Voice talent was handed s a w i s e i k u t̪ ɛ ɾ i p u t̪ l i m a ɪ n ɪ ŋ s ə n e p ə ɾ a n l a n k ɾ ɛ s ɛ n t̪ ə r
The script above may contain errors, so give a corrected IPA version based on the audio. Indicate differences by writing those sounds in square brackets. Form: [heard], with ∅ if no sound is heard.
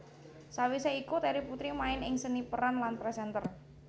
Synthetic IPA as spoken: s a w i s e i k u t̪ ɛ ɾ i p u t̪ [ɾ] i m a ɪ n ɪ ŋ s ə n [i] p ə ɾ a n l a n [p] ɾ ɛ s ɛ n t̪ ə r